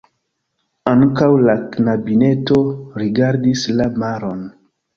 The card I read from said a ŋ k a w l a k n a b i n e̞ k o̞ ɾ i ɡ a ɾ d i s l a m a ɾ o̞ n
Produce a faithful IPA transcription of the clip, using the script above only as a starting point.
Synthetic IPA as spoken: a ŋ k a w l a k n a b i n e̞ t o̞ ɾ i ɡ a ɾ d i s l a m a ɾ o̞ n